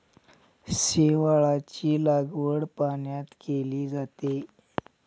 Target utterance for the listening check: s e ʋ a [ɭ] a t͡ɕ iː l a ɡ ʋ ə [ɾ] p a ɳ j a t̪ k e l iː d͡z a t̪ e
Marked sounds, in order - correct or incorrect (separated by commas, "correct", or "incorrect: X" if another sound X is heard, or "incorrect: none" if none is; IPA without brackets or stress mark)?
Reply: correct, incorrect: ɽ